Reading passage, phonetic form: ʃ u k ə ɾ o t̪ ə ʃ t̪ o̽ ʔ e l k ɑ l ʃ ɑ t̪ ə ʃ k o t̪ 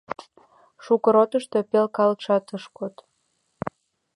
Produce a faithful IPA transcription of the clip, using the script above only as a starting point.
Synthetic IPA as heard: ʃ u k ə ɾ o t̪ ə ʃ t̪ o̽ p e l k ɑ l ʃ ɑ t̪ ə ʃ k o t̪